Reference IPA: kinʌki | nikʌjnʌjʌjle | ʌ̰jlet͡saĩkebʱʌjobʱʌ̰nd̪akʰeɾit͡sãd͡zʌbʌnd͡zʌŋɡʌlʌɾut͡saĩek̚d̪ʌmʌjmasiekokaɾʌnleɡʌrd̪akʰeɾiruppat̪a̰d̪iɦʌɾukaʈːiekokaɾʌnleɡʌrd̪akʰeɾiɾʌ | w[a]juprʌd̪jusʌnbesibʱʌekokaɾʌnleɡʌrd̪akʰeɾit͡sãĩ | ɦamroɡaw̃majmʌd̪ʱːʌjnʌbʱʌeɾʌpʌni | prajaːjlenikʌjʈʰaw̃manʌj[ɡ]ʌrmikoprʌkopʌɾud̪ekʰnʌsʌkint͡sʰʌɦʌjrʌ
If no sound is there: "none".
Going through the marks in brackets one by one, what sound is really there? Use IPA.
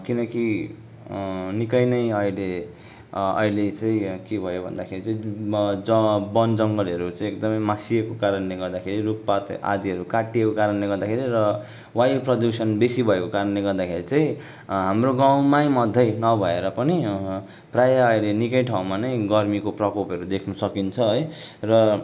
a, ɡ

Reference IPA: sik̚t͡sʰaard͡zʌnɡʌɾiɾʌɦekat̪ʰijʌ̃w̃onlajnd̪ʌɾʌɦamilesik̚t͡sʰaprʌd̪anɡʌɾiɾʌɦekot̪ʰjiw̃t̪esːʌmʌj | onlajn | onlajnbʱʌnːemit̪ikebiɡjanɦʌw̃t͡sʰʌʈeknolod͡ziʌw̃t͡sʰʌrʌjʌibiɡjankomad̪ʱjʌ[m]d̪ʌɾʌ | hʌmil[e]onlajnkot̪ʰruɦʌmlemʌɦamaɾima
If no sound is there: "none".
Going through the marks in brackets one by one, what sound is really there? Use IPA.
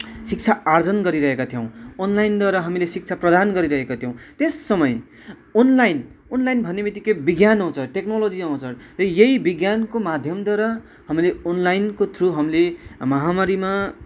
m, e

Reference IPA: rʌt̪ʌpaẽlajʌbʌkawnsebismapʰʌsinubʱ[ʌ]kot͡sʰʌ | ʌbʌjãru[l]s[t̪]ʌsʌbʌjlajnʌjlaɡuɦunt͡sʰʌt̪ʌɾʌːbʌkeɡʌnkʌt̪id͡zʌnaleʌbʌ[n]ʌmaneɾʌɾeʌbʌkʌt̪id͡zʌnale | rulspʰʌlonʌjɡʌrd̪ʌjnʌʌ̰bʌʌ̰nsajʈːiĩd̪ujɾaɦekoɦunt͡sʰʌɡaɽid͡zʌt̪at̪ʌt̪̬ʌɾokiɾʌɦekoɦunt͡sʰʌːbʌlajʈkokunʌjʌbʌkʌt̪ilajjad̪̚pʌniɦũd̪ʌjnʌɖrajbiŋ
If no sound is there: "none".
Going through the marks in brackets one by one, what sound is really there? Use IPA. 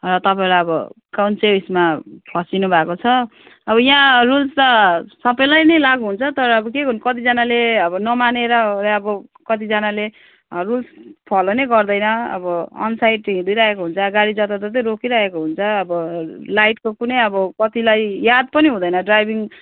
a, l, t̪, n

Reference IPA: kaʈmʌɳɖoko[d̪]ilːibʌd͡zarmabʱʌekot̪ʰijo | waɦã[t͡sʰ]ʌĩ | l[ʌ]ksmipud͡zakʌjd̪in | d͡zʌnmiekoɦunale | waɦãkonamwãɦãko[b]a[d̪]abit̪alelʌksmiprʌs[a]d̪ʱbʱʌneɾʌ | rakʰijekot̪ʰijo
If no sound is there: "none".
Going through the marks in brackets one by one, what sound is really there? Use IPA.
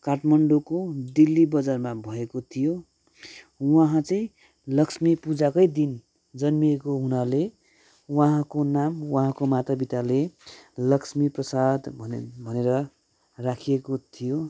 d̪, t͡s, ʌ, m, t̪, a

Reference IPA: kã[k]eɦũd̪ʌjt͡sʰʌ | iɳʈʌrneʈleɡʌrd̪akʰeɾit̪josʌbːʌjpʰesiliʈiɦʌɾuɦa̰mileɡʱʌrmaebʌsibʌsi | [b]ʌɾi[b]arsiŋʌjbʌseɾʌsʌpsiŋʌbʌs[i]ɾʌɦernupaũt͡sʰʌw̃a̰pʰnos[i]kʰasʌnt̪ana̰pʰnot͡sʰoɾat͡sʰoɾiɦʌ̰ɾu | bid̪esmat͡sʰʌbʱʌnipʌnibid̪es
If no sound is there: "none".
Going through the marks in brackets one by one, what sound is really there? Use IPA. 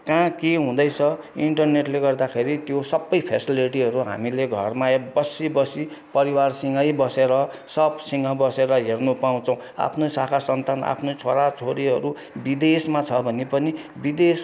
k, p, w, e, a

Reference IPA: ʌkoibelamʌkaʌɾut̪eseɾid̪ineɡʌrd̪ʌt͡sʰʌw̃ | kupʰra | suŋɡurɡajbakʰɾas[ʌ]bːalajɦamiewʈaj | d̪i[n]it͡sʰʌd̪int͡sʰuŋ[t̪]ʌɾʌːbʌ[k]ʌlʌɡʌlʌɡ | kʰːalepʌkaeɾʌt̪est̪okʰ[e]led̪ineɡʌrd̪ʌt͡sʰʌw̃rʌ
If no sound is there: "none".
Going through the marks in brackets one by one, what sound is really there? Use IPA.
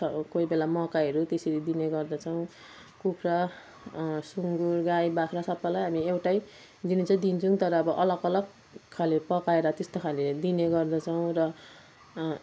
ʌ, n, t̪, ʔ, a

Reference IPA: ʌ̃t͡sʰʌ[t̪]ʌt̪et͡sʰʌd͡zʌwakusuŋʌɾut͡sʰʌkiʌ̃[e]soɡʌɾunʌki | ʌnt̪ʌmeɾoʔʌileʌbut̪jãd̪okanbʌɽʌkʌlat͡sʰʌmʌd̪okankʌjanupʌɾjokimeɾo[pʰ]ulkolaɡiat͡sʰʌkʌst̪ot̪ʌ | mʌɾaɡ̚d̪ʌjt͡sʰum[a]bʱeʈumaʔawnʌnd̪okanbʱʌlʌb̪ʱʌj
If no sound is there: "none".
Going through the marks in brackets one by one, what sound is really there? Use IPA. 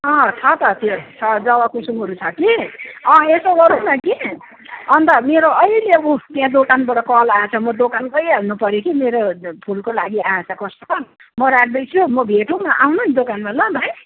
t̪, e, pʰ, ʌ

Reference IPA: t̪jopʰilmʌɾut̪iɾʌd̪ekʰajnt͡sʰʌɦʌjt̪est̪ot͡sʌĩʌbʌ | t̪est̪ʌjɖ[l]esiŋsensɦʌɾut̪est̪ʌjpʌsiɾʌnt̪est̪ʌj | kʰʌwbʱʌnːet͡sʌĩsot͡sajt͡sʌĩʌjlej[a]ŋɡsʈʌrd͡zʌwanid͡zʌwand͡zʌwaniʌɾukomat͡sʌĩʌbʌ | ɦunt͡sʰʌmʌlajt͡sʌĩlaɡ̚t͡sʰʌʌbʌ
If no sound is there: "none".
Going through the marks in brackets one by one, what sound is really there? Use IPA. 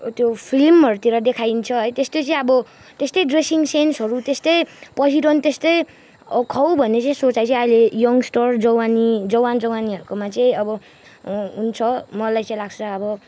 r, ʌ

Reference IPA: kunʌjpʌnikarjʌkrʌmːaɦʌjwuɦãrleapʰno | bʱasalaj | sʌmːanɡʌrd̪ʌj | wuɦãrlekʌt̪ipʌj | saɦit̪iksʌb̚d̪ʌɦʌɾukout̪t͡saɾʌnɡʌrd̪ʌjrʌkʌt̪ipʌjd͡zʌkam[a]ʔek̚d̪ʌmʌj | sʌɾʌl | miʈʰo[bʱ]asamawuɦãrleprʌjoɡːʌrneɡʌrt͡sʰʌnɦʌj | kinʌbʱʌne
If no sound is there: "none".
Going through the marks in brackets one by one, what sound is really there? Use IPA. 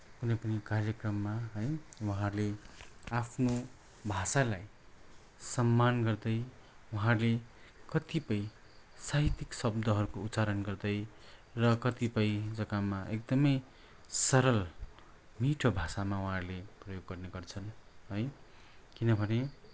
a, bʱ

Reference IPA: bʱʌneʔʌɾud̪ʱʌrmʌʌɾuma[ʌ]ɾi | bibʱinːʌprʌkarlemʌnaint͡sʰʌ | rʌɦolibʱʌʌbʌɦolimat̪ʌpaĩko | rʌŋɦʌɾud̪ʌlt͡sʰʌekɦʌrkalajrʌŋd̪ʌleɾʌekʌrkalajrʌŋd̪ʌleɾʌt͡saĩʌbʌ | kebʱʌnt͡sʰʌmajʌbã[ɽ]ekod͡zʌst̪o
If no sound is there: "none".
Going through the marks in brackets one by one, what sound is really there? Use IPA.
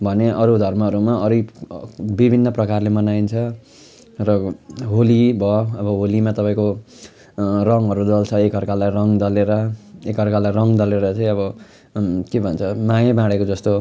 ʌ, ɽ

